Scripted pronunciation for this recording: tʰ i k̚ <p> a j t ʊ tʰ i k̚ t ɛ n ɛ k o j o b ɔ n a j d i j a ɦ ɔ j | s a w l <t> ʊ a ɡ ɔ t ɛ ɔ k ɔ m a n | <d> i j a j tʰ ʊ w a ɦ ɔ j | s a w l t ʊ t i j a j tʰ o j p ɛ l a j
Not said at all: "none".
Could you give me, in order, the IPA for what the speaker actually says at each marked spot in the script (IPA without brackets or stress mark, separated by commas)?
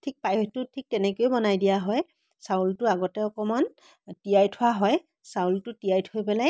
p, t, t